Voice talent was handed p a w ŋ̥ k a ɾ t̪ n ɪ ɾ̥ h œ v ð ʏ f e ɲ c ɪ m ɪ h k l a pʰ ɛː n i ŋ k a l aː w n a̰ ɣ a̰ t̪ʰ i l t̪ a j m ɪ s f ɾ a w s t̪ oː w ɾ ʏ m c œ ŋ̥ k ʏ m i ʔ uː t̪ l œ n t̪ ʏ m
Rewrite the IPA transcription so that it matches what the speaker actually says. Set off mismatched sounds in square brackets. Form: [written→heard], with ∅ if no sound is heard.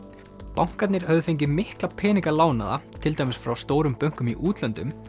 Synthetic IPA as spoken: p a w ŋ̥ k a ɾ t̪ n ɪ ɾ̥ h œ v ð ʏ f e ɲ c ɪ m ɪ h k l a pʰ ɛː n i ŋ k a l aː w n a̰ [ɣ→ð] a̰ t̪ʰ [i→ɪ] l t̪ a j m ɪ s f ɾ a w s t̪ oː w ɾ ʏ m [c→p] œ ŋ̥ k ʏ m i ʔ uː t̪ l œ n t̪ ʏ m